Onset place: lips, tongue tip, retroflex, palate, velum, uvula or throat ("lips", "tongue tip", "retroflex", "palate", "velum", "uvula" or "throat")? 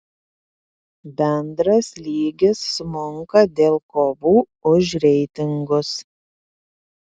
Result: lips